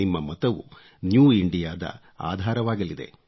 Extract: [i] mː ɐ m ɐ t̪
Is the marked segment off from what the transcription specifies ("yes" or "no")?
no